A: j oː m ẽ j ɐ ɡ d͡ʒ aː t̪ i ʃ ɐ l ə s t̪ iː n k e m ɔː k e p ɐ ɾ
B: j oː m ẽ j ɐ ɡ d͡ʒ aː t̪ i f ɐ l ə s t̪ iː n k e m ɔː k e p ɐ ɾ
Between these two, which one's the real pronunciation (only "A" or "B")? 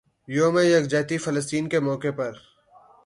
B